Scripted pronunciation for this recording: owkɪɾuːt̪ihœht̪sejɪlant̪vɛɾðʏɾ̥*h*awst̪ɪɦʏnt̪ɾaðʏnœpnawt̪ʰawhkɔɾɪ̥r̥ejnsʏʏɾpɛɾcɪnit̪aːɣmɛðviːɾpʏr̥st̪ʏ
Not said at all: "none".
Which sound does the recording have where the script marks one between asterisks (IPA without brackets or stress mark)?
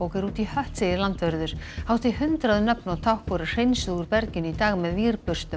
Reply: h